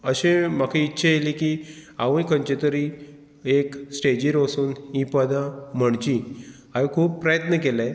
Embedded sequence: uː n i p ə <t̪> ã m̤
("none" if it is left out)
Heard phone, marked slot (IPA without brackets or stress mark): d̪